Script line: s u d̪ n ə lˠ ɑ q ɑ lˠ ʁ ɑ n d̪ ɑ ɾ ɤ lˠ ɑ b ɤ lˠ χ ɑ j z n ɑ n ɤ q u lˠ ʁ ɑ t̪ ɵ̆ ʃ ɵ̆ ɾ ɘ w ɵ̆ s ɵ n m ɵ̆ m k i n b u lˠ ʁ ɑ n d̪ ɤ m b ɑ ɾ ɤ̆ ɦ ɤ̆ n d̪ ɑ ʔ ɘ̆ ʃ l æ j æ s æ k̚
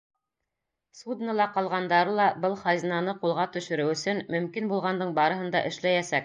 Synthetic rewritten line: s u d̪ n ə lˠ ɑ q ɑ lˠ ʁ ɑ n d̪ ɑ ɾ ɤ lˠ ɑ b ɤ lˠ χ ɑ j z n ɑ n ɤ q u lˠ ʁ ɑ t̪ ɵ̆ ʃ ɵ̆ ɾ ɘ w ɵ̆ s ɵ n m ɵ̆ m k i n b u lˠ ʁ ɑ n d̪ ɤ ɴ b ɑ ɾ ɤ̆ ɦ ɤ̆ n d̪ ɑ ʔ ɘ̆ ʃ l æ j æ s æ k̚